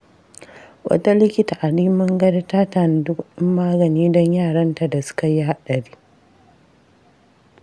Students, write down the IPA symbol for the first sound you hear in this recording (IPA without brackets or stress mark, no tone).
w